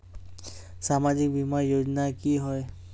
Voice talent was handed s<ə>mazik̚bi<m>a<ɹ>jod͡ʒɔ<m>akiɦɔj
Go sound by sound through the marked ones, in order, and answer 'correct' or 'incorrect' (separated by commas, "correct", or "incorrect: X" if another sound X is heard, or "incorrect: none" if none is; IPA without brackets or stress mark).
incorrect: a, correct, correct, incorrect: n